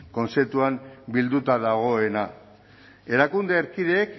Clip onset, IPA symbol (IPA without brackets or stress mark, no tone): k